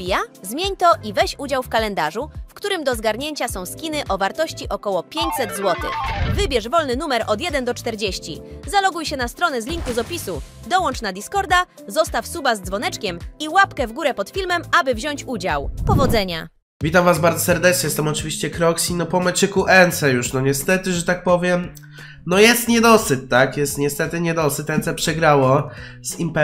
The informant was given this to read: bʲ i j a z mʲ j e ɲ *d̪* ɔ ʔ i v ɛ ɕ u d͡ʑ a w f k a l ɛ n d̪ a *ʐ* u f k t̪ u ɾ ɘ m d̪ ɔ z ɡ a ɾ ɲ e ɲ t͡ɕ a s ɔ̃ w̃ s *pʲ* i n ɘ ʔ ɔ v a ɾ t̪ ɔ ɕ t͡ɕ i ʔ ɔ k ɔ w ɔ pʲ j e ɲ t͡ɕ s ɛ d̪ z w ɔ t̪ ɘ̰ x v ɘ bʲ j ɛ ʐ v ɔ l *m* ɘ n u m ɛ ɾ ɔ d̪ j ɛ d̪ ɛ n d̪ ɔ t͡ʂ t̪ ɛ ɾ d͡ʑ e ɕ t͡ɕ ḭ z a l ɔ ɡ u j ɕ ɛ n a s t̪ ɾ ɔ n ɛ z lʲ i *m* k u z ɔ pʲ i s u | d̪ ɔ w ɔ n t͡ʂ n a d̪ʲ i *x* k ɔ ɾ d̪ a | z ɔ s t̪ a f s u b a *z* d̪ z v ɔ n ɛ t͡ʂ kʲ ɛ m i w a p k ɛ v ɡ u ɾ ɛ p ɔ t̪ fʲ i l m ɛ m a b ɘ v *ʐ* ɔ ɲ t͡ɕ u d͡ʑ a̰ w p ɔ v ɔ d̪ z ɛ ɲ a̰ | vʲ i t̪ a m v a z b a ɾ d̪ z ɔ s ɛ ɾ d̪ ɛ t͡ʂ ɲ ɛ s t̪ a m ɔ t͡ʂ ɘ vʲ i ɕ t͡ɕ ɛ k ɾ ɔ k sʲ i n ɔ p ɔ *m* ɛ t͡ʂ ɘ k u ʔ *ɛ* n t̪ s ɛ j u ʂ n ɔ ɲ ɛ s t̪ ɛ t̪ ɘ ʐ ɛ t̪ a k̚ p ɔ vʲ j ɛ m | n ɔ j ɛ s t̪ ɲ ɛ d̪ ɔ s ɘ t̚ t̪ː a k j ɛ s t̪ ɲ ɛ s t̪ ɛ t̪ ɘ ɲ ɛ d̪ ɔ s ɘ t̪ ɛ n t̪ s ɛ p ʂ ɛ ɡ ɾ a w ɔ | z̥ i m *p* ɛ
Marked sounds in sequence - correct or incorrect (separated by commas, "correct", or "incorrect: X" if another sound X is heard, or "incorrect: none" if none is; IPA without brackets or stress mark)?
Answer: incorrect: t̪, correct, incorrect: kʲ, incorrect: n, incorrect: ŋ, incorrect: s, correct, incorrect: ʑ, correct, correct, correct